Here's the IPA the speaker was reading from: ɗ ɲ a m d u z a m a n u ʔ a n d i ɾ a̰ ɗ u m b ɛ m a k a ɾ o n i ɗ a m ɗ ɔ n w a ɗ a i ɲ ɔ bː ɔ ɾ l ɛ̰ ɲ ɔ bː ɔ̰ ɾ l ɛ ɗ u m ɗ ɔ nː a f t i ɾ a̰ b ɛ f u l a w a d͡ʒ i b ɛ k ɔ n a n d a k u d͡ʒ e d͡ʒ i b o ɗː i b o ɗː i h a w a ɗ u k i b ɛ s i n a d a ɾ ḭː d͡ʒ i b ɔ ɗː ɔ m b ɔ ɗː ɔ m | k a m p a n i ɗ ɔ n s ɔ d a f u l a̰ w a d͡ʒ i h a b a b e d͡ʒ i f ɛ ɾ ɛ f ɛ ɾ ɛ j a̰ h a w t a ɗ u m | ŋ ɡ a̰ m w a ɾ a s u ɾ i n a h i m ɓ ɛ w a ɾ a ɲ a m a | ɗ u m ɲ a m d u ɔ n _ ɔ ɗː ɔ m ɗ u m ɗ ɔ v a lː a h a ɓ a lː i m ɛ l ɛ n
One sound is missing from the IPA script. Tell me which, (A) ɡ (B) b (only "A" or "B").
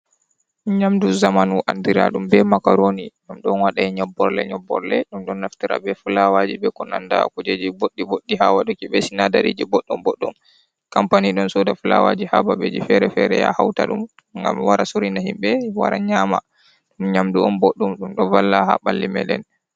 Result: B